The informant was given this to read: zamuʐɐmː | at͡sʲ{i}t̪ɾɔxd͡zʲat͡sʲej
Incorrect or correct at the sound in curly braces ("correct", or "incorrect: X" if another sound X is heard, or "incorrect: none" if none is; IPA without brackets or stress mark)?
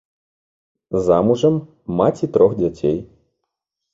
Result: correct